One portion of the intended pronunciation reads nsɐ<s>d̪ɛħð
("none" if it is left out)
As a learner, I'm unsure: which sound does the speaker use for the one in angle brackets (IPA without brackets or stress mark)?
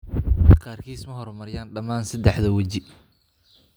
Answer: none